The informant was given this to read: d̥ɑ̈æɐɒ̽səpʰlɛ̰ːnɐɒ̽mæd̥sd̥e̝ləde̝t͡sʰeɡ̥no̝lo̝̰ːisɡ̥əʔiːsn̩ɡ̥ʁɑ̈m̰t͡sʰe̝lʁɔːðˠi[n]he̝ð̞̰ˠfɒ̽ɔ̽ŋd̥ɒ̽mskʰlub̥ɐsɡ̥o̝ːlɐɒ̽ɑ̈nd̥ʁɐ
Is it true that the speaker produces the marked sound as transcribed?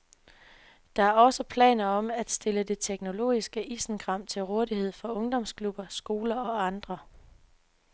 no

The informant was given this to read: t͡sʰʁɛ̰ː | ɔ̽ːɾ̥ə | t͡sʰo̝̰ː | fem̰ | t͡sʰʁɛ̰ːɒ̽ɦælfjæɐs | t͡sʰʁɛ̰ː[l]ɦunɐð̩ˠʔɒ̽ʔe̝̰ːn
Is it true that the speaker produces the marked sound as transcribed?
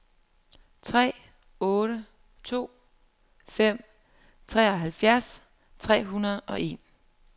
no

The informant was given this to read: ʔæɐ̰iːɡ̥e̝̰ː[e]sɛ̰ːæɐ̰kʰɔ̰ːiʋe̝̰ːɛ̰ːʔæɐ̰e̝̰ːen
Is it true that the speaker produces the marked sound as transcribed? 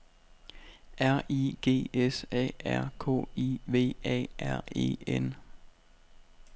yes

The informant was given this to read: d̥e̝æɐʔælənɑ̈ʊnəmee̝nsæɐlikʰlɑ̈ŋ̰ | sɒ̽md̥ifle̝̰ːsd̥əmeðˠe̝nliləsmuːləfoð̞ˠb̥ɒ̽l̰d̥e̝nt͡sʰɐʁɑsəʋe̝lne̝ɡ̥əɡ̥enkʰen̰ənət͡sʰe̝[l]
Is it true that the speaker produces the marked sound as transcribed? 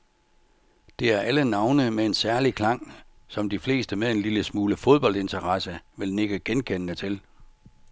yes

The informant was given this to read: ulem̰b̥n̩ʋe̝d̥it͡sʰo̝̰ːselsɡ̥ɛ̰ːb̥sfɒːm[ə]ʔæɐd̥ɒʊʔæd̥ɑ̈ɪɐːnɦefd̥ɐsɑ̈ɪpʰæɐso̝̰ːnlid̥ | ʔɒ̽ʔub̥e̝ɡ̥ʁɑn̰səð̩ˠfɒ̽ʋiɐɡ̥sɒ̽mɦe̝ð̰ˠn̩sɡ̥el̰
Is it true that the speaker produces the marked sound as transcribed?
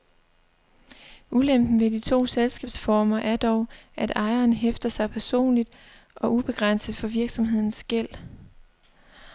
no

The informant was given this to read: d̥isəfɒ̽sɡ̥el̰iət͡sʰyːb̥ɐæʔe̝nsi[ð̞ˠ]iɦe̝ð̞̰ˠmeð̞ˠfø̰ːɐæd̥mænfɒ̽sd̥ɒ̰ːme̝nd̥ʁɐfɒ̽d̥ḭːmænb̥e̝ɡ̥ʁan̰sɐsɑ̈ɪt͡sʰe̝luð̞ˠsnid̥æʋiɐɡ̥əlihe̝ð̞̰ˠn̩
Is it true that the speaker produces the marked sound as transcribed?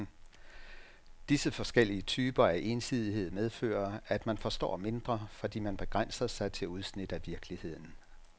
yes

